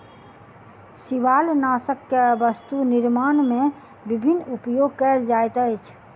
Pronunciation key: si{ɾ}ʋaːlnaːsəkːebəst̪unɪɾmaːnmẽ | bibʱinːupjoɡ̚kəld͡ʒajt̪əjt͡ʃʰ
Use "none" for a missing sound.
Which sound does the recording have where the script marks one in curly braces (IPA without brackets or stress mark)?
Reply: none